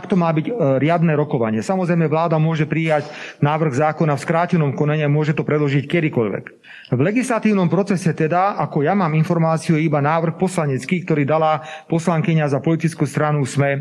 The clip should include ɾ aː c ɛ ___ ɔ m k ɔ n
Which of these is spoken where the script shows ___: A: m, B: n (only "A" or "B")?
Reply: B